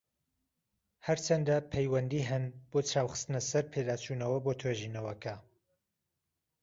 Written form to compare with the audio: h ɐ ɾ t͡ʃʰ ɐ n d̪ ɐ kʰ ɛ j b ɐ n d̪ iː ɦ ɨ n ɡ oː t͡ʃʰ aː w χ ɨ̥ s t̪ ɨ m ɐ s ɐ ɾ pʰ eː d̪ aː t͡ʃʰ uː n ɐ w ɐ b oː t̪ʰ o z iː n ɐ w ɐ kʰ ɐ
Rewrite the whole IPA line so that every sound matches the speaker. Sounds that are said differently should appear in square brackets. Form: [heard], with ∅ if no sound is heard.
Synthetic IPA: h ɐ ɾ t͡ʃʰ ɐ n d̪ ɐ [pʰ] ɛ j [w] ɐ n d̪ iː ɦ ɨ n [b] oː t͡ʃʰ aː w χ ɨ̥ s t̪ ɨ [n] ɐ s ɐ ɾ pʰ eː d̪ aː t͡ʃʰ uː n ɐ w ɐ b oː t̪ʰ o [ʒ] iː n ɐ w ɐ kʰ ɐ